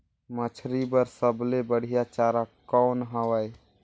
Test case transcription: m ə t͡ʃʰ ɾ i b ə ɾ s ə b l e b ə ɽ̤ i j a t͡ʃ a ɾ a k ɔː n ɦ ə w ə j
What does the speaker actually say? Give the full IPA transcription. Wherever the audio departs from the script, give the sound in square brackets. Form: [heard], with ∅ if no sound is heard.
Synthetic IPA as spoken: m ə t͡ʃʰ ɾ i b ə ɾ s ə b l e b ə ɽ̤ i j a t͡ʃ a ɾ a k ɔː n ɦ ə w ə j